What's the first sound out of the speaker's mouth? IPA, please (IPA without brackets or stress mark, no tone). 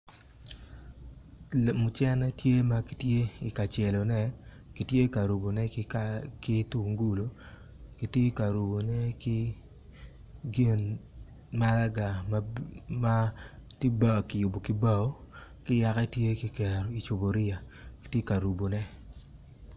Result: m